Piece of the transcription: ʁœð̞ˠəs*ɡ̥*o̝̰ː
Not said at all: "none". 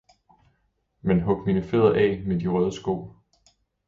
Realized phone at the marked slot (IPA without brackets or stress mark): ɡ̥